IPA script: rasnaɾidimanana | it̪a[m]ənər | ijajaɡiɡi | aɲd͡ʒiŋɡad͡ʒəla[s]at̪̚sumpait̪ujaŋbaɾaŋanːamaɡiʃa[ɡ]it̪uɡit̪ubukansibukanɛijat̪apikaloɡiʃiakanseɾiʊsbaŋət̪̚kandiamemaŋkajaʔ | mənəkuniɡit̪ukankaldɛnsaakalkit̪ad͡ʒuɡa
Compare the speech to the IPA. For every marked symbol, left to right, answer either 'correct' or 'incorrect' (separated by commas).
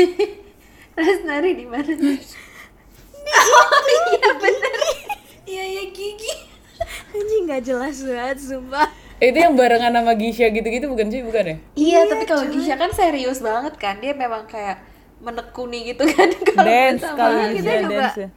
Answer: incorrect, correct, correct